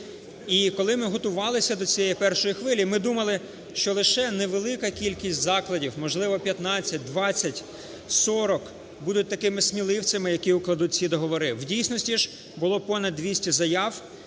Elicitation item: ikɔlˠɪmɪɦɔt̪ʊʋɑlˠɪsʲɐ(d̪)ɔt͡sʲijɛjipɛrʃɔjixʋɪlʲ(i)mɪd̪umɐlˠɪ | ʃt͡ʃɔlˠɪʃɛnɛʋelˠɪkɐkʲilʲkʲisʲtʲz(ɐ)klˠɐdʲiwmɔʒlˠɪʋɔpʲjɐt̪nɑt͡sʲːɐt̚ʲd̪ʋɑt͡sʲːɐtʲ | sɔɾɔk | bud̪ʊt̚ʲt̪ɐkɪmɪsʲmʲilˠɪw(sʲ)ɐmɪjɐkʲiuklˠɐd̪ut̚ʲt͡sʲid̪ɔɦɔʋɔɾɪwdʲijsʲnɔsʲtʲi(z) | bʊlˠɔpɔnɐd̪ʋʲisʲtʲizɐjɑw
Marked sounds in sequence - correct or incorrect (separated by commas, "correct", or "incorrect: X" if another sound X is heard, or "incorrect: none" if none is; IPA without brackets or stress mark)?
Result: correct, correct, incorrect: ɑ, incorrect: t͡sʲ, incorrect: ʒ